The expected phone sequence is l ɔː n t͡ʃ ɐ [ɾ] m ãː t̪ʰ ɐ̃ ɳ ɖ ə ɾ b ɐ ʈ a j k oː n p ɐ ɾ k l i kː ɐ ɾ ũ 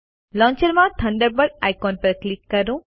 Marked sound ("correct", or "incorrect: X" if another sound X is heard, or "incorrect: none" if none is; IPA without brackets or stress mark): correct